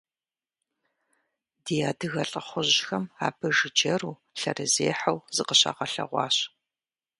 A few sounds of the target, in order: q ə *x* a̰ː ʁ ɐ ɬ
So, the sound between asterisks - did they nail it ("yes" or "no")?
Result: no